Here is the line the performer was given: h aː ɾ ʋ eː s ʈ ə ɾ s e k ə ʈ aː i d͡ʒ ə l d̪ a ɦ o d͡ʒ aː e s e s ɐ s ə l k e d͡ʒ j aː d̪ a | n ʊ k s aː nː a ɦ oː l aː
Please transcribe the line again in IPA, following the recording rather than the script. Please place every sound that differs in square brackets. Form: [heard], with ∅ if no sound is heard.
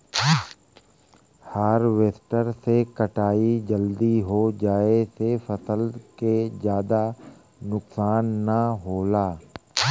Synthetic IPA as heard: h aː ɾ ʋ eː s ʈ ə ɾ s e k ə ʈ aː i d͡ʒ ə l d̪ [i] ɦ o d͡ʒ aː e s e [f] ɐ s ə l k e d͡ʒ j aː d̪ a | n ʊ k s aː nː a ɦ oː l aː